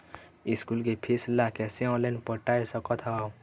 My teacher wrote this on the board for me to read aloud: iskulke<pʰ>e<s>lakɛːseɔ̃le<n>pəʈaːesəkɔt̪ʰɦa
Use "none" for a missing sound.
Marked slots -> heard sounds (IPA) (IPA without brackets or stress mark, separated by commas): pʰ, s, n